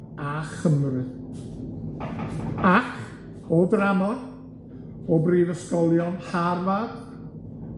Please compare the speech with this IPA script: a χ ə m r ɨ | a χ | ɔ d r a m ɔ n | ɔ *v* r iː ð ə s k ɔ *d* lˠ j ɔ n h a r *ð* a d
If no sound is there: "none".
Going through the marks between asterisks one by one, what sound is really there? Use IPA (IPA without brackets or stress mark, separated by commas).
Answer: b, none, v